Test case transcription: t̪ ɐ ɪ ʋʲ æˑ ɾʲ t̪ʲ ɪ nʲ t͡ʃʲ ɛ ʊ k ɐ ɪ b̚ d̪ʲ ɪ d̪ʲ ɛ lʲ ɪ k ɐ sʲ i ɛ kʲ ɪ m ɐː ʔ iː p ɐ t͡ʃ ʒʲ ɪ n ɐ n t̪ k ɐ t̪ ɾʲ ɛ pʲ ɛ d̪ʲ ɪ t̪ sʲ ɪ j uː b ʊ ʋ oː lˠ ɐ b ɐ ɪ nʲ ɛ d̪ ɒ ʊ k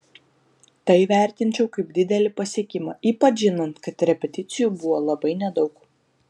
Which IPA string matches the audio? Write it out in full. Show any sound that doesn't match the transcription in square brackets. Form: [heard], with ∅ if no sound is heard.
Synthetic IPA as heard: t̪ ɐ ɪ ʋʲ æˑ ɾʲ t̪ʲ ɪ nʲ t͡ʃʲ ɛ ʊ k ɐ ɪ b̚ d̪ʲ ɪ d̪ʲ ɛ lʲ ɪ [p] ɐ sʲ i ɛ kʲ ɪ m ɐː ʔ iː p ɐ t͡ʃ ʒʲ ɪ n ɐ n t̪ k ɐ t̪ ɾʲ ɛ pʲ ɛ [t̪ʲ] ɪ t̪ sʲ ɪ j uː b ʊ ʋ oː lˠ ɐ b ɐ ɪ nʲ ɛ d̪ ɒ ʊ k

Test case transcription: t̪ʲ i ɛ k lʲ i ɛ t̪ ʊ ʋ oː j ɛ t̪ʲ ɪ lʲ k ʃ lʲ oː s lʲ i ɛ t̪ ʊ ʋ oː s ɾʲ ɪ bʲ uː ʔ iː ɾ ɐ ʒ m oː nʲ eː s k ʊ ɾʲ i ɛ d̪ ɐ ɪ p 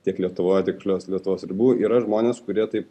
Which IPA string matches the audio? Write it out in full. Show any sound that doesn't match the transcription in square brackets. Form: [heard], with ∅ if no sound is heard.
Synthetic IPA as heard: t̪ʲ i ɛ k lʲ i ɛ t̪ ʊ ʋ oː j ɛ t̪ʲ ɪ [∅] k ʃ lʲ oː s lʲ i ɛ t̪ ʊ ʋ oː s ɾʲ ɪ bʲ uː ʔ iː ɾ ɐ ʒ m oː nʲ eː s k ʊ ɾʲ i ɛ [t̪] ɐ ɪ p

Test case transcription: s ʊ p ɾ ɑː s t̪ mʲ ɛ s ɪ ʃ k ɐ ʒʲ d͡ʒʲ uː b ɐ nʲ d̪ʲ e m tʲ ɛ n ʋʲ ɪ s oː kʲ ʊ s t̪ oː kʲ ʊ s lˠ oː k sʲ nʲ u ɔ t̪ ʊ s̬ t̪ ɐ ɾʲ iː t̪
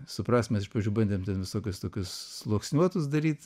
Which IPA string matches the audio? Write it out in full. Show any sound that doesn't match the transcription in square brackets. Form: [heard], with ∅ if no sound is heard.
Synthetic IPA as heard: s ʊ p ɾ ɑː s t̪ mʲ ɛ s ɪ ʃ [p] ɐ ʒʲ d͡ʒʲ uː b ɐ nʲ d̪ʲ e m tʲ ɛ n ʋʲ ɪ s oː kʲ ʊ s t̪ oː kʲ ʊ s lˠ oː k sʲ nʲ u ɔ t̪ ʊ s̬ [d̪] ɐ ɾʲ iː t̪

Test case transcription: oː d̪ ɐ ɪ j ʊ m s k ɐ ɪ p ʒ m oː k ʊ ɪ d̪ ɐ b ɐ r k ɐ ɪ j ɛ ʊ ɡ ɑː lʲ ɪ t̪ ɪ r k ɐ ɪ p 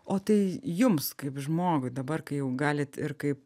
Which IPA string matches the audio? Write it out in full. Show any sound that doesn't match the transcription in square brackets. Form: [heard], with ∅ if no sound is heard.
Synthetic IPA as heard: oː [t̪] ɐ ɪ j ʊ m s k ɐ ɪ p ʒ m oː [ɡ] ʊ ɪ d̪ ɐ b ɐ r k ɐ ɪ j ɛ ʊ ɡ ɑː lʲ ɪ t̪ ɪ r k ɐ ɪ p

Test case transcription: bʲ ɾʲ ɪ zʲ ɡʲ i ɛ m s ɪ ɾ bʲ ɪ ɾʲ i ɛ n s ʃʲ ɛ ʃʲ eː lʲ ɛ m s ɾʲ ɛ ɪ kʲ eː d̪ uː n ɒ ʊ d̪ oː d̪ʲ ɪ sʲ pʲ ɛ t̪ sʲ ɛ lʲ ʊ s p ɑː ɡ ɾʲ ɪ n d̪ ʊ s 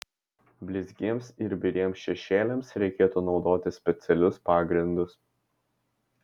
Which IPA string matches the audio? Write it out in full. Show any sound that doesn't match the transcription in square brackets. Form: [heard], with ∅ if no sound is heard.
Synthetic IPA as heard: bʲ [lʲ] ɪ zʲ ɡʲ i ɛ m s ɪ ɾ bʲ ɪ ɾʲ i ɛ [m] s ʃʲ ɛ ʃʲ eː lʲ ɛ m s ɾʲ ɛ ɪ kʲ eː [t̪] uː n ɒ ʊ d̪ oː [t̪ʲ] ɪ sʲ pʲ ɛ t̪ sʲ ɛ lʲ ʊ s p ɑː ɡ ɾʲ ɪ n d̪ ʊ s

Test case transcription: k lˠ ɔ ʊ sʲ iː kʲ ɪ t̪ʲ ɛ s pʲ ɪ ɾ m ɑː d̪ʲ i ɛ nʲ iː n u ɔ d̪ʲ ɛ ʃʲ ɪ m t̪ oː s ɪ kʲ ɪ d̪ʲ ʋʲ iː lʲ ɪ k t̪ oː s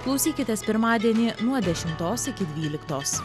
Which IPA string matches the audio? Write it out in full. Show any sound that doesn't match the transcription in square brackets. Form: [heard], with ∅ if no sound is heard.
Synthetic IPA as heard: k lˠ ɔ ʊ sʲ iː kʲ ɪ t̪ʲ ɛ s pʲ ɪ ɾ m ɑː d̪ʲ i ɛ nʲ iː n u ɔ d̪ʲ ɛ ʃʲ ɪ m t̪ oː s ɪ kʲ ɪ d̪ʲ ʋʲ iː lʲ ɪ k t̪ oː s

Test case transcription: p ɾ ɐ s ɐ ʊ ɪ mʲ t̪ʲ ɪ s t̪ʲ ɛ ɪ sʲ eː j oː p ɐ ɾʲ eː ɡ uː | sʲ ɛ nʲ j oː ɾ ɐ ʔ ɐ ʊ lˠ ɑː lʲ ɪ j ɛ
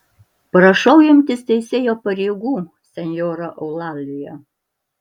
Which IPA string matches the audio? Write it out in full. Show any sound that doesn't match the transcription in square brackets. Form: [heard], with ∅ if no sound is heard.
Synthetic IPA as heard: p ɾ ɐ [ʃ] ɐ ʊ ɪ mʲ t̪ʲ ɪ s t̪ʲ ɛ ɪ sʲ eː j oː p ɐ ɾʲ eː ɡ uː | sʲ ɛ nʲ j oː ɾ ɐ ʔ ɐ ʊ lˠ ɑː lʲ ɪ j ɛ

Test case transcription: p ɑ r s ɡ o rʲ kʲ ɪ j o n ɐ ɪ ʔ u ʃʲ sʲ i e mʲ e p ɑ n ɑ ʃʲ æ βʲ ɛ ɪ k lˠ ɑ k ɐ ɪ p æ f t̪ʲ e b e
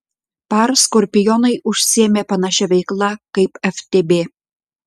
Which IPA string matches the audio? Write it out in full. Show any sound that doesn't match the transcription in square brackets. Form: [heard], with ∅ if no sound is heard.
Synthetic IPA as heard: p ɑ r s [k] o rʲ [pʲ] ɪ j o n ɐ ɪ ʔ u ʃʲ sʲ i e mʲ e p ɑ n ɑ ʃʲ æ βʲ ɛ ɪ k lˠ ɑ k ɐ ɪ p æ f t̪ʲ e b e

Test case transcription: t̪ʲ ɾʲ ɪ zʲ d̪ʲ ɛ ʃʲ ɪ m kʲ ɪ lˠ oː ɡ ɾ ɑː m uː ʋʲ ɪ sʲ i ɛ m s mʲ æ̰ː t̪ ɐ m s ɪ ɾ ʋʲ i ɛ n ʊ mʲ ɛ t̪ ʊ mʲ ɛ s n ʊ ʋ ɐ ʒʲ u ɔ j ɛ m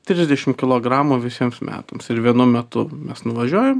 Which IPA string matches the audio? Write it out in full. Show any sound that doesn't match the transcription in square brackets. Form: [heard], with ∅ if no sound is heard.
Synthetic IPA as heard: t̪ʲ ɾʲ ɪ zʲ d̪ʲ ɛ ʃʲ ɪ m kʲ ɪ lˠ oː ɡ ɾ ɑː m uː ʋʲ ɪ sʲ i ɛ m s mʲ æ̰ː t̪ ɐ m s ɪ ɾ ʋʲ i ɛ n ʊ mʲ ɛ t̪ ʊ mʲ ɛ s n ʊ ʋ ɐ ʒʲ u ɔ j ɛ m

